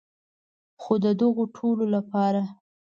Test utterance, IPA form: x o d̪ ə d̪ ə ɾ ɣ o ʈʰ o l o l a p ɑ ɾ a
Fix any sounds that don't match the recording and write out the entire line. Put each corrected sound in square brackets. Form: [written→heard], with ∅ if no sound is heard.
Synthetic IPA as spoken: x o d̪ ə d̪ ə [ɾ→∅] ɣ o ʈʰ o l o l a p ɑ ɾ a